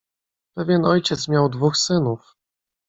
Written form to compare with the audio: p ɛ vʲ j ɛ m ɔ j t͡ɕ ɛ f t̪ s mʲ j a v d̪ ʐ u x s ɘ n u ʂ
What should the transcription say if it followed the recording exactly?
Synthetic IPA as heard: p ɛ vʲ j ɛ n ɔ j t͡ɕ ɛ t̪ s mʲ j a w d̪ v u x s ɘ n u f